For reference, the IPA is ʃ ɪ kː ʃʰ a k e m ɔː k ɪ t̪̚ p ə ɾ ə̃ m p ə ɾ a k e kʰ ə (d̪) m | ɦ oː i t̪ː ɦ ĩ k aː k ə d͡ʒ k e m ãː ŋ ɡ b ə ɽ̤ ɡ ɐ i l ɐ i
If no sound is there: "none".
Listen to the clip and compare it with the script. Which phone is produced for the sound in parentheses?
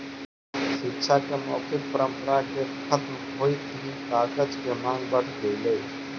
t̪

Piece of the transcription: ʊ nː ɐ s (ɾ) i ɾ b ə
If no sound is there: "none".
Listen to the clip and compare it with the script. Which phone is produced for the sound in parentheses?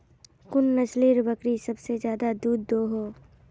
l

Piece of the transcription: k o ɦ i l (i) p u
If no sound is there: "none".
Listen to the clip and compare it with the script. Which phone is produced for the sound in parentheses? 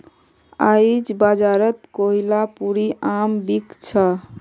a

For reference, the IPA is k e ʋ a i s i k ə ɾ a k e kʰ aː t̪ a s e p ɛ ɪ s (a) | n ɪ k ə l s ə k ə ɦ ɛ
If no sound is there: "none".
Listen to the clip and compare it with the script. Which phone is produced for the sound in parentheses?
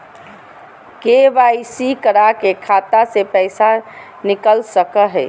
a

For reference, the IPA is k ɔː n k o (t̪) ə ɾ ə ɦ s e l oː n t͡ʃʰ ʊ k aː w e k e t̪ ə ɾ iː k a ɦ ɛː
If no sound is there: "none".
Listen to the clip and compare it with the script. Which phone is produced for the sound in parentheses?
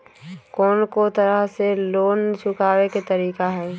t̪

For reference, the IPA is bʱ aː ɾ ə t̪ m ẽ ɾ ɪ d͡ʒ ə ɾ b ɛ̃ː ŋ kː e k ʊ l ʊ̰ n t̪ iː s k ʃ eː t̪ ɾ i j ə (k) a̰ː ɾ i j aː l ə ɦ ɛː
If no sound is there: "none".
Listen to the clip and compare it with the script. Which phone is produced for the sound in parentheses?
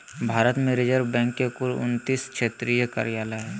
k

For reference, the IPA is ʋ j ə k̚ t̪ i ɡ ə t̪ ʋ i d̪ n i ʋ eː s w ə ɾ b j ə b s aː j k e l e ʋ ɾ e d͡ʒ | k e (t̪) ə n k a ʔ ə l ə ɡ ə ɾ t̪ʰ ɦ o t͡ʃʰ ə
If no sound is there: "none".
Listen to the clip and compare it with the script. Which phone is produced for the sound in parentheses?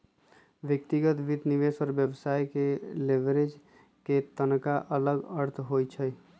t̪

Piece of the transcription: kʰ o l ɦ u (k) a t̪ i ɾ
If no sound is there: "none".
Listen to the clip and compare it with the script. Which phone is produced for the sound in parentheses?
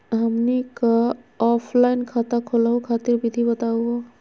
kʰ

